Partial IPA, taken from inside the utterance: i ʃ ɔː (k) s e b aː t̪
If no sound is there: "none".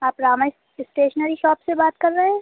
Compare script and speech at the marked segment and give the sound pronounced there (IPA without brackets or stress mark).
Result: p